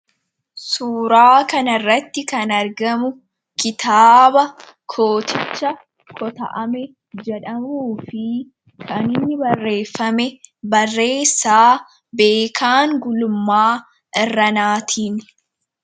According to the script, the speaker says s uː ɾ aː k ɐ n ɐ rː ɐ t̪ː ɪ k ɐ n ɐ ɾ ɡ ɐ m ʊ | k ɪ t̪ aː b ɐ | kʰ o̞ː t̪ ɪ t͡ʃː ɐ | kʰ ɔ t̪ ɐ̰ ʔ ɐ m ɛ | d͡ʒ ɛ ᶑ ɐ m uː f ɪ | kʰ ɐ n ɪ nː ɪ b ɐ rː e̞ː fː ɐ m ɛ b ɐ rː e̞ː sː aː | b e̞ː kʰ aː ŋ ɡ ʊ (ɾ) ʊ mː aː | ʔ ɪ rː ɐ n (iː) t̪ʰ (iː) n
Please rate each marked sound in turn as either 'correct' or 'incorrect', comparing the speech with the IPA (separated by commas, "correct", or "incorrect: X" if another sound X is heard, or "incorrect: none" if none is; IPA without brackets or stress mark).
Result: incorrect: l, incorrect: aː, correct